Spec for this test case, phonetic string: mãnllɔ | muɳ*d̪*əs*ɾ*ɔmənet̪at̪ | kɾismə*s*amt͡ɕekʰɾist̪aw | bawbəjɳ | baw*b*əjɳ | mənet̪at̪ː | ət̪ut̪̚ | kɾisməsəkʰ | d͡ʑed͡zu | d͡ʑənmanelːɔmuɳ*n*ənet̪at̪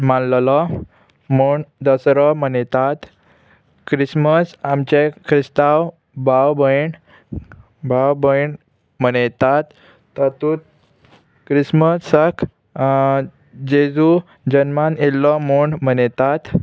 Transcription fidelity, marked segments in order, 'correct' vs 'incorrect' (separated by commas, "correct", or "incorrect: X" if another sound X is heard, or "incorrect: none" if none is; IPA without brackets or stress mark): correct, correct, correct, correct, incorrect: m